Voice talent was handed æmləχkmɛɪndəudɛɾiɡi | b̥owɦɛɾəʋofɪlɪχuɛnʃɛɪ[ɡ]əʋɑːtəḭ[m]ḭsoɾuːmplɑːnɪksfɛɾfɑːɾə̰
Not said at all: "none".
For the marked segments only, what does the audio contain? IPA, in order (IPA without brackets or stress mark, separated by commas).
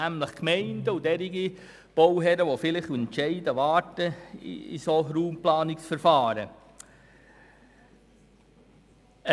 d, none